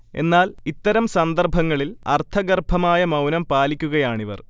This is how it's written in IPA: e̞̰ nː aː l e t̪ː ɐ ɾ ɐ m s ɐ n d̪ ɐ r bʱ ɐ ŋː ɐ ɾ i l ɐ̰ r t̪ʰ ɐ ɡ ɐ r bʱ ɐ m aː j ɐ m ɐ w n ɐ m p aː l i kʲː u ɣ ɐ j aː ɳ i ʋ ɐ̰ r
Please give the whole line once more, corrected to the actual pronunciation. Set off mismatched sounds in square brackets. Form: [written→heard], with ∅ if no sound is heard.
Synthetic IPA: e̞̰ nː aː l [e→i] t̪ː ɐ ɾ ɐ m s ɐ n d̪ ɐ r bʱ ɐ ŋː ɐ [ɾ→ɭ] i l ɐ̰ r t̪ʰ ɐ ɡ ɐ r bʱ ɐ m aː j ɐ m ɐ w n ɐ m p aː l i kʲː u ɣ ɐ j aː ɳ i ʋ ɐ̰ r

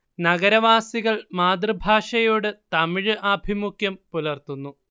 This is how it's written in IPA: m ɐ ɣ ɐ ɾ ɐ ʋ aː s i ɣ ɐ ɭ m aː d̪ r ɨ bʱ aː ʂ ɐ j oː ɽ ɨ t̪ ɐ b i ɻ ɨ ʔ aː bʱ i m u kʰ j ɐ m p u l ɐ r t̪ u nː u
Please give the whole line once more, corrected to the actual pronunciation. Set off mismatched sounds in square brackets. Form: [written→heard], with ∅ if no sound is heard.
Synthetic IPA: [m→n] ɐ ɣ ɐ ɾ ɐ ʋ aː s i ɣ ɐ ɭ m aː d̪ r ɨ bʱ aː ʂ ɐ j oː ɽ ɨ t̪ ɐ [b→m] i ɻ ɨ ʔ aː bʱ i m u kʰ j ɐ m p u l ɐ r t̪ u nː u

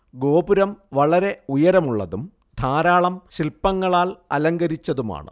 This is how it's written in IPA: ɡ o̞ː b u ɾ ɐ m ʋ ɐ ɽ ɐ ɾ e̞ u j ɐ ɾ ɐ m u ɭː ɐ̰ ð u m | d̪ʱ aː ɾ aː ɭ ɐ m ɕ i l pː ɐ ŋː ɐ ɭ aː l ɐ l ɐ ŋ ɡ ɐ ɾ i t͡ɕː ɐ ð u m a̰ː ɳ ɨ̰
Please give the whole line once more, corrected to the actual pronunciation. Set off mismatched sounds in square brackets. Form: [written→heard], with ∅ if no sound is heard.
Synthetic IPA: ɡ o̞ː b u ɾ ɐ m ʋ ɐ [ɽ→ɭ] ɐ ɾ e̞ u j ɐ ɾ ɐ m u ɭː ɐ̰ ð u m | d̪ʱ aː ɾ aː ɭ ɐ m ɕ i l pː ɐ ŋː ɐ ɭ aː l ɐ l ɐ ŋ ɡ ɐ ɾ i t͡ɕː ɐ ð u m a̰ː ɳ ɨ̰

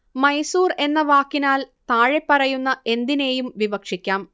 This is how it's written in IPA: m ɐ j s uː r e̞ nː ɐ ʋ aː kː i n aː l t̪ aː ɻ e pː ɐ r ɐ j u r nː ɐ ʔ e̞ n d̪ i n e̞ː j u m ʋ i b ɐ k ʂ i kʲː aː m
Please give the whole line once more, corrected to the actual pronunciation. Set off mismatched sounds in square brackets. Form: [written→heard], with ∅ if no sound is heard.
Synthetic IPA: m ɐ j s uː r e̞ nː ɐ ʋ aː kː i n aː l t̪ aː ɻ e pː ɐ r ɐ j u [r→∅] nː ɐ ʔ e̞ n d̪ i n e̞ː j u m ʋ i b ɐ k ʂ i kʲː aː m

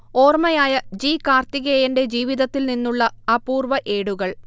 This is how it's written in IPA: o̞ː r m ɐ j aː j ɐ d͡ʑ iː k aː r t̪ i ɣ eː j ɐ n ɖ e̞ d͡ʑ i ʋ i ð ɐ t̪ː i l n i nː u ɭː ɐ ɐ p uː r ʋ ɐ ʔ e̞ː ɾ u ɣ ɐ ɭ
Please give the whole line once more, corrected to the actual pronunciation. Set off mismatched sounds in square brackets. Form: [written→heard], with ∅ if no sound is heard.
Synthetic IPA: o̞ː r m ɐ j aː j ɐ d͡ʑ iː k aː r t̪ i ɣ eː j ɐ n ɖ e̞ d͡ʑ [i→iː] ʋ i ð ɐ t̪ː i l n i nː u ɭː ɐ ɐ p uː r ʋ ɐ ʔ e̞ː [ɾ→ɽ] u ɣ ɐ ɭ

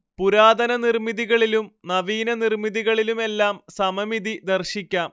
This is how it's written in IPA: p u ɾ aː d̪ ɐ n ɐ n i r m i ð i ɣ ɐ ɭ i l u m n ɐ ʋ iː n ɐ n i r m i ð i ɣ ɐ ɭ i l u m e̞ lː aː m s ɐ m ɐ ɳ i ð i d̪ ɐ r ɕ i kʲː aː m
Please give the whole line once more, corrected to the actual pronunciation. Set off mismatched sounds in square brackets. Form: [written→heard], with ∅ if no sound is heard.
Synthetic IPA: p u ɾ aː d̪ ɐ n ɐ n i r m i ð i ɣ ɐ ɭ i l u m n ɐ ʋ iː n ɐ n i r m i ð i ɣ ɐ ɭ i l u m e̞ lː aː m s ɐ m ɐ [ɳ→m] i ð i d̪ ɐ r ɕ i kʲː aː m

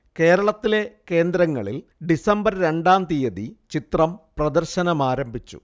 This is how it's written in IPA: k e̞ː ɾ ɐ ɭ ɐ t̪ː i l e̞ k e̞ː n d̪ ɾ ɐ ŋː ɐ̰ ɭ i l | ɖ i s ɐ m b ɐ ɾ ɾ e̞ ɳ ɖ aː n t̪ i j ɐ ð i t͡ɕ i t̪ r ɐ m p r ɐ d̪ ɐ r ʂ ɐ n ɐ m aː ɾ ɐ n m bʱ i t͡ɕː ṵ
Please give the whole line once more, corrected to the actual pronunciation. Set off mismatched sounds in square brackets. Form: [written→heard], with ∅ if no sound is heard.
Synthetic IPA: k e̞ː ɾ ɐ ɭ ɐ t̪ː i l e̞ k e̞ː n d̪ ɾ ɐ ŋː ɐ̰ ɭ i l | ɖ i s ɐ m b ɐ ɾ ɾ e̞ ɳ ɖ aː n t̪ i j ɐ ð i t͡ɕ i t̪ r ɐ m p r ɐ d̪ ɐ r [ʂ→ɕ] ɐ n ɐ m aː ɾ ɐ [n→∅] m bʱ i t͡ɕː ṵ

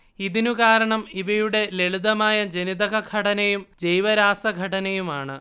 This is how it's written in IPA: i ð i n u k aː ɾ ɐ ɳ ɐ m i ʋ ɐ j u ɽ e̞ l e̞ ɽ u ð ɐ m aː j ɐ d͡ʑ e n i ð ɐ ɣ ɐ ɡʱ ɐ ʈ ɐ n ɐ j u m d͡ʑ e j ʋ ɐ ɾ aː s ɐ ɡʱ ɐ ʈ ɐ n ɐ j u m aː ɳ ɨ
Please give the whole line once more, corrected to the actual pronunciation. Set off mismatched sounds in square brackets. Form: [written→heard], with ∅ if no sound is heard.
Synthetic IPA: i ð i n u k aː ɾ ɐ ɳ ɐ m i ʋ ɐ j u ɽ e̞ l e̞ [ɽ→ɭ] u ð ɐ m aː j ɐ d͡ʑ e n i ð ɐ ɣ ɐ ɡʱ ɐ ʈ ɐ n ɐ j u m d͡ʑ e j ʋ ɐ ɾ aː s ɐ ɡʱ ɐ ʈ ɐ n ɐ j u m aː ɳ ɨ

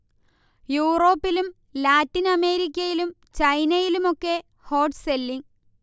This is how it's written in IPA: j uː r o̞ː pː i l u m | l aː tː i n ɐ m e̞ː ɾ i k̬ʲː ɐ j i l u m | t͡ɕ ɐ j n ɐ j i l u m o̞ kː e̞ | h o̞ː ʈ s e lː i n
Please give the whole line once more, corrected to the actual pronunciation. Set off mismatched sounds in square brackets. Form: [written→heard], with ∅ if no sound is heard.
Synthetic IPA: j uː r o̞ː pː i l u m | l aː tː i n ɐ m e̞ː ɾ i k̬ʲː ɐ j i l u m | t͡ɕ ɐ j n ɐ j i l u m o̞ kː e̞ | h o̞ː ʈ s e lː i [n→ŋ]

